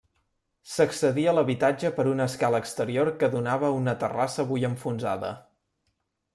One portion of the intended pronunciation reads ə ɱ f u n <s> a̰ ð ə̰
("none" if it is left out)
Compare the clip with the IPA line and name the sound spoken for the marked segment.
z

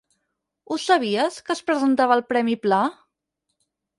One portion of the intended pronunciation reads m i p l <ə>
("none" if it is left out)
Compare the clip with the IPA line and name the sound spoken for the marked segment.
a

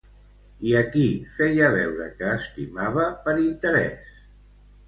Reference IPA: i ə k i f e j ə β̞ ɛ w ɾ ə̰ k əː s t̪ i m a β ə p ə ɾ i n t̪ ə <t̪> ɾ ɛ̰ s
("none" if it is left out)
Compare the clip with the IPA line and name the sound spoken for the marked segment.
none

